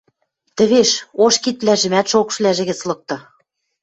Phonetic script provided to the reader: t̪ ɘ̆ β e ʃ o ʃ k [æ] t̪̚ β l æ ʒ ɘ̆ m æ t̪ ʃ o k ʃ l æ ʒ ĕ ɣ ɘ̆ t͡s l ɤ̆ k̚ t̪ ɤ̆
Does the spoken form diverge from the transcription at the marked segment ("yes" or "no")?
yes